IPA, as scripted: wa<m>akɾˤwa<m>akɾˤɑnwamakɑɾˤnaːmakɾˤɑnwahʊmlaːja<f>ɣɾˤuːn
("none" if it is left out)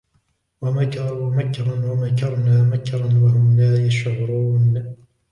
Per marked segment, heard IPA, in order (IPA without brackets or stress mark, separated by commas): m, m, ʃ